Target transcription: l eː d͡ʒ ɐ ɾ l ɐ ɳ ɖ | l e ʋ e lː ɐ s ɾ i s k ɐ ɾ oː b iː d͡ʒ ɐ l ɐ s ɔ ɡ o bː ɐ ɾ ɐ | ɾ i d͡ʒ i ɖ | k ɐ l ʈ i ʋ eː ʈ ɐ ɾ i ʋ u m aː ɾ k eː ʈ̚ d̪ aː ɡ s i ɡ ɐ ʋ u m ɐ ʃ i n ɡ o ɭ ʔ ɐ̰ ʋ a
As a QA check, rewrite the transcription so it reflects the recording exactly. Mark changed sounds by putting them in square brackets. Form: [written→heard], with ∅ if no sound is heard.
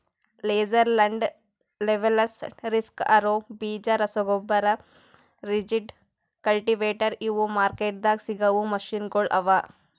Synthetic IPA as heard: l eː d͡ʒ ɐ ɾ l ɐ ɳ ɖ | l e ʋ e [lː→l] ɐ s ɾ i s k ɐ ɾ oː b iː d͡ʒ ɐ [l→ɾ] ɐ s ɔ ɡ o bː ɐ ɾ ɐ | ɾ i d͡ʒ i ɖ | k ɐ l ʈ i ʋ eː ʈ ɐ ɾ i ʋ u m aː ɾ k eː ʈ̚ d̪ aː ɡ s i ɡ ɐ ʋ u m ɐ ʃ i n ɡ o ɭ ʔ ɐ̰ ʋ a